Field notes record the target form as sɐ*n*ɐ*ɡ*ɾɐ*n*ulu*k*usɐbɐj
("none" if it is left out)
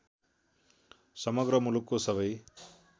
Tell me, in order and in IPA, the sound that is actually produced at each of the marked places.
m, ɡ, m, k

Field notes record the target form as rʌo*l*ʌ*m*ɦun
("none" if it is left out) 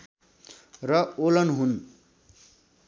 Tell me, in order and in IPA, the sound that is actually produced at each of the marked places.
l, n

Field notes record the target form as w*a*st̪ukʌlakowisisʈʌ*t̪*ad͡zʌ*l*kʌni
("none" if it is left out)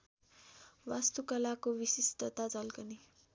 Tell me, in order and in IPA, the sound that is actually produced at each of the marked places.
a, t̪, l

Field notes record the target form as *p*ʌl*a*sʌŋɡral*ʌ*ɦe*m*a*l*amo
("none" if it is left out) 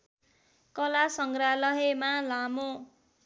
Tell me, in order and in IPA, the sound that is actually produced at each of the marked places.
k, a, ʌ, m, l

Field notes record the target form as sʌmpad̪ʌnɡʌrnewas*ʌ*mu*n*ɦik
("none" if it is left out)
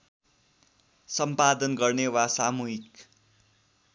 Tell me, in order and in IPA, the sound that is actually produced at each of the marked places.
a, none

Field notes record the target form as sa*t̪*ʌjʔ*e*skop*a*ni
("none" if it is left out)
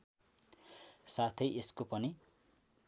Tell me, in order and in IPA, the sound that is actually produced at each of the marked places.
t̪ʰ, e, ʌ

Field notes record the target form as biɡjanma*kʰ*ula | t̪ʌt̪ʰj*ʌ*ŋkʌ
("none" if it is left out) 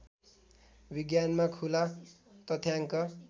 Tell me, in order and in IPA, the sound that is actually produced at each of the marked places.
kʰ, a

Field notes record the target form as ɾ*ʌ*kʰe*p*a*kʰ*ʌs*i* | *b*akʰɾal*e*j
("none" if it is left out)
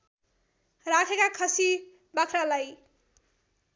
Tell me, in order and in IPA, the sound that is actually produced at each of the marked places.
a, k, kʰ, i, b, a

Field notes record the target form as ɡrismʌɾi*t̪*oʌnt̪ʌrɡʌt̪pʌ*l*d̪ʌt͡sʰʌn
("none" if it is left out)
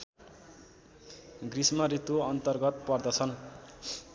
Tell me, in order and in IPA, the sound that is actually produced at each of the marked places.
t̪, r

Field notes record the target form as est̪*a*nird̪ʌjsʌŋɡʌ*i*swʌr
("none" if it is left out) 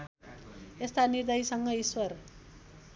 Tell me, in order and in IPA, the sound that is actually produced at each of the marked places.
a, i

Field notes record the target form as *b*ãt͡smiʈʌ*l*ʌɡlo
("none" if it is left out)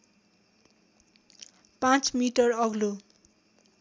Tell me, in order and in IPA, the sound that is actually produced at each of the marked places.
p, r

